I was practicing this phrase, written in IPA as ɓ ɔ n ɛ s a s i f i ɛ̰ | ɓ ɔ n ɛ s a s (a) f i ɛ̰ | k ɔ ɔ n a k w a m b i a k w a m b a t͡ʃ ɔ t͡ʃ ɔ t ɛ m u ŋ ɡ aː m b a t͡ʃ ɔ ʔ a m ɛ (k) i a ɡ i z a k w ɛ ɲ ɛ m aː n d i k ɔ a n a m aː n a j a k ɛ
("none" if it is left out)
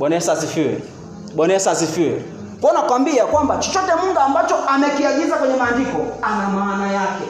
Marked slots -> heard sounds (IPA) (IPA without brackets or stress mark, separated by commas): i, k